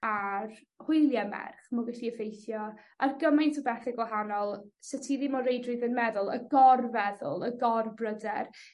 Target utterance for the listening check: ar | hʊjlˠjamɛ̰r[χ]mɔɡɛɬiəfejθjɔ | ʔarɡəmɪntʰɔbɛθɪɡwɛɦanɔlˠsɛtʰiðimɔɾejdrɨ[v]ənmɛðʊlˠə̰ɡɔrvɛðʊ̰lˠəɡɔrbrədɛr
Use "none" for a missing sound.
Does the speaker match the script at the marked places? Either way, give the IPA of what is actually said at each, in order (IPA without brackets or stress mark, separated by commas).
χ, ð